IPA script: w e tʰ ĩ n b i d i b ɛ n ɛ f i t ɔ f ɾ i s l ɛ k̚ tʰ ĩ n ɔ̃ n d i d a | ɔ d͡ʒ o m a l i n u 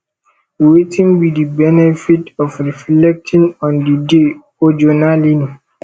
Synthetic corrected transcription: w e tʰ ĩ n b i d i b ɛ n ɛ f i t ɔ f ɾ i f l ɛ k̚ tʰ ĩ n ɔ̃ n d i d e | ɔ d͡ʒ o n a l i n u